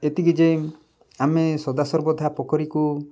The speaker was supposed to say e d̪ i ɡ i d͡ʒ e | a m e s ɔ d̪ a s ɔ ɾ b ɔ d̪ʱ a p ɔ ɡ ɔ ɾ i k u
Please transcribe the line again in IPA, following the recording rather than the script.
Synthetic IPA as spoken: e t̪ i ɡ i d͡ʒ e | a m e s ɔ d̪ a s ɔ ɾ b ɔ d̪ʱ a p ɔ k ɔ ɾ i k u